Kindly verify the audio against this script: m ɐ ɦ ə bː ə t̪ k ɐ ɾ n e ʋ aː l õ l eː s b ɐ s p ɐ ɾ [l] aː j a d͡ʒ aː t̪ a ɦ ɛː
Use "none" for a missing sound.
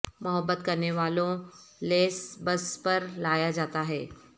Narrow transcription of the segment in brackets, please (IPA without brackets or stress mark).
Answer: l